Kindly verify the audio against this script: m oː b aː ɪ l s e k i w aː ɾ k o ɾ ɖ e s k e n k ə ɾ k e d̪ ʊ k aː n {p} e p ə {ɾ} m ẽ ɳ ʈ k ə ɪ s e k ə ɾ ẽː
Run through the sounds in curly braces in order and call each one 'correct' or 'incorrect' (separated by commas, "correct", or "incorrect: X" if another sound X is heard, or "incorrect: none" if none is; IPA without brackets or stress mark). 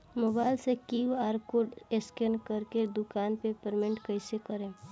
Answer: correct, correct